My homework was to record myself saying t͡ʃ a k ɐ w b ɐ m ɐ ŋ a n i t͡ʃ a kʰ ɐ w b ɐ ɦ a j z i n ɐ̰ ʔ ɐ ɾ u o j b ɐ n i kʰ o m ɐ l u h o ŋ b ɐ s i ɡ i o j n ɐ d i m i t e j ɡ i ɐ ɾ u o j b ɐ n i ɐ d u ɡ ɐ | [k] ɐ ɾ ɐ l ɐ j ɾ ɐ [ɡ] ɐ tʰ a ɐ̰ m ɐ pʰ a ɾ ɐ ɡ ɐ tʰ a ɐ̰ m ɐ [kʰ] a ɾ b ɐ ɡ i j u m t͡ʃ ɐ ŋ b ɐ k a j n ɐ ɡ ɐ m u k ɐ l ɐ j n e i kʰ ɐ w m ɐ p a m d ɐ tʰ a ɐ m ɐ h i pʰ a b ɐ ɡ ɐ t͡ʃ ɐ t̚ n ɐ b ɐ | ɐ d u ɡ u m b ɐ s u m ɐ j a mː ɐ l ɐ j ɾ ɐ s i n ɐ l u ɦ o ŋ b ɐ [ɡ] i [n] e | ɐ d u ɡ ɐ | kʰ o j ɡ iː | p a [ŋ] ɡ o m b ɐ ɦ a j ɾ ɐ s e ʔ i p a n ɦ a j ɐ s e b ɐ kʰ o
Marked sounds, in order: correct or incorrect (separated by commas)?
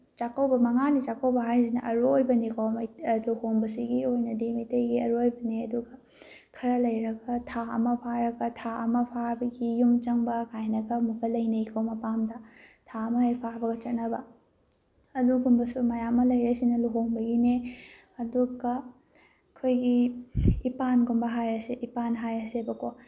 incorrect, correct, incorrect, correct, correct, incorrect